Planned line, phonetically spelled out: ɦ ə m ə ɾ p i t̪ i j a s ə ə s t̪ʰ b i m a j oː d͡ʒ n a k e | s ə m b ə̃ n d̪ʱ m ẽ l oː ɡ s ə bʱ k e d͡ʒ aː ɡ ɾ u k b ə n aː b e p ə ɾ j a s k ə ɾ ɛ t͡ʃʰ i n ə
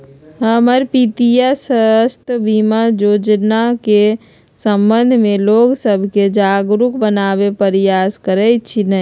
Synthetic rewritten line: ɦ ə m ə ɾ p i t̪ i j a s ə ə s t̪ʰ b i m a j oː d͡ʒ n a k e | s ə m b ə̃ n d̪ʱ m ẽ l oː ɡ s ə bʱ k e d͡ʒ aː ɡ ɾ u k b ə n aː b e p ə ɾ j a s k ə ɾ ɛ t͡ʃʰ i n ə